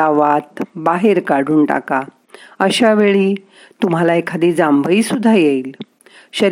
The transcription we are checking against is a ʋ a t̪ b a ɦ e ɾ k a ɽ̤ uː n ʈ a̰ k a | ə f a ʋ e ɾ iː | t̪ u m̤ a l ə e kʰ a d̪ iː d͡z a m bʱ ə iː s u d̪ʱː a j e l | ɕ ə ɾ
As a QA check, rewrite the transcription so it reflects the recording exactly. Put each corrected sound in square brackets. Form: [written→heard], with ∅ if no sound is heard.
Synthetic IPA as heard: a ʋ a t̪ b a ɦ e ɾ k a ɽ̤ uː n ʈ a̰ k a | ə [f→ɕ] a ʋ e [ɾ→ɭ] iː | t̪ u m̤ a l [ə→a] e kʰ a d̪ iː d͡z a m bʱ ə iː s u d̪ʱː a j e l | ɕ ə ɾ